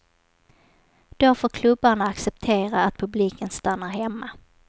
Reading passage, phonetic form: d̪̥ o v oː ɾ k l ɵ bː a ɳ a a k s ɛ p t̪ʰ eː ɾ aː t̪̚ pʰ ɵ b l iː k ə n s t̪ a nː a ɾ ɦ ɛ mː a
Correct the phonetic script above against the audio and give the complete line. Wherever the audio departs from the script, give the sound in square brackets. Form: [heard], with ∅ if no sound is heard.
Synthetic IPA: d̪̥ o [f] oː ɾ [kʰ] l ɵ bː a ɳ a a k s ɛ p t̪ʰ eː ɾ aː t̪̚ pʰ ɵ b l iː k ə n s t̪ a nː a ɾ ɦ ɛ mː a